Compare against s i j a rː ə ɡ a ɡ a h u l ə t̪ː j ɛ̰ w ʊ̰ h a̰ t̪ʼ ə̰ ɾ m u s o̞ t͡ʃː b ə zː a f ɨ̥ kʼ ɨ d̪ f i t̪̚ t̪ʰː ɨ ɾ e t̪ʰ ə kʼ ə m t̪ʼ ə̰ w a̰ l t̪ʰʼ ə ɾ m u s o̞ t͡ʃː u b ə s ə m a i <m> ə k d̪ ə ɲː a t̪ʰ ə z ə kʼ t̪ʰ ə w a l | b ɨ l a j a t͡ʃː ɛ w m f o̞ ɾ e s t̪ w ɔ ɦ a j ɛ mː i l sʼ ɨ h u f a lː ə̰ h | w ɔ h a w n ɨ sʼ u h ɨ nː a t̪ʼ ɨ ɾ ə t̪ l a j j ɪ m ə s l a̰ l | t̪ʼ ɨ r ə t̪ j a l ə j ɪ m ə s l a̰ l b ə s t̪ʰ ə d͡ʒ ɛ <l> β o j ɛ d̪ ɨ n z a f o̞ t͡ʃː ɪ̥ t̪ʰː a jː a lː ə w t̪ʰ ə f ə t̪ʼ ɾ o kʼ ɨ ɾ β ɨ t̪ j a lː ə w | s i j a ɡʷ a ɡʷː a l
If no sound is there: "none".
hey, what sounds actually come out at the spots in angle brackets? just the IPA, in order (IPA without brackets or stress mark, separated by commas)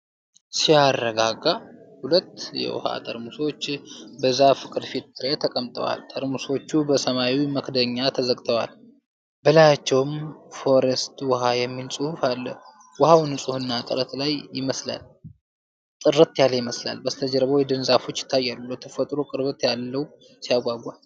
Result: m, ɾ